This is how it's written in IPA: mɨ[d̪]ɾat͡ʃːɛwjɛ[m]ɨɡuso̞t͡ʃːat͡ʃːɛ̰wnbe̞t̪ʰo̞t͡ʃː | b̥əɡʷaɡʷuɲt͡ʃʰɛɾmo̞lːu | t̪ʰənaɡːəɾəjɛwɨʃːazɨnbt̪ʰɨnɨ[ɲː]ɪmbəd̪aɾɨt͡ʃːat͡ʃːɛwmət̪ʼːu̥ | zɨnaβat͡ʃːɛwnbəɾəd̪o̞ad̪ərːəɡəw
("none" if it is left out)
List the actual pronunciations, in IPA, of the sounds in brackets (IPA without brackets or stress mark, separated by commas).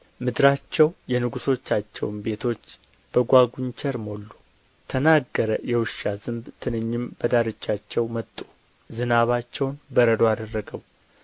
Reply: d̪, n, ɲː